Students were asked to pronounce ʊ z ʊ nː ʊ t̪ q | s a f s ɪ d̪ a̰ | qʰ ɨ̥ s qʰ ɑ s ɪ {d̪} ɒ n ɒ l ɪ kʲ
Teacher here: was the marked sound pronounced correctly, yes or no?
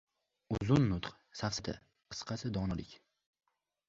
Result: yes